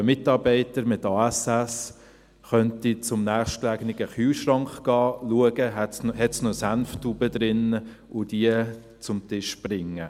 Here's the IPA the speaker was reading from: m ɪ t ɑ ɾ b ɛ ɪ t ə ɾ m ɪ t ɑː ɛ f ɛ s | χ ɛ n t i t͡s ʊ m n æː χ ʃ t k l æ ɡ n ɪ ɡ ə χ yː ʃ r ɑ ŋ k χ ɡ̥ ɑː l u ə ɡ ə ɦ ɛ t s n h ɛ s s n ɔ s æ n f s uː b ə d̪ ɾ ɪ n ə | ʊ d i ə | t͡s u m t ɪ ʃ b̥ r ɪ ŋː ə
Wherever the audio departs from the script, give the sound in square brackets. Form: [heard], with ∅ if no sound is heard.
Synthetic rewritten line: m ɪ t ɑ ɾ b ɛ ɪ t ə ɾ m ɪ t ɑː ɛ [s] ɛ s | χ [œ] n t i t͡s ʊ m n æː χ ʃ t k l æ ɡ n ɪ ɡ ə χ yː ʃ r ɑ ŋ k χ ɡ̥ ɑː l u ə ɡ ə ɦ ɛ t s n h ɛ [t] s n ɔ s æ n f [t] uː b ə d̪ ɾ ɪ n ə | ʊ d i ə | t͡s [ʊ] m t ɪ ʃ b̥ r ɪ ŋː ə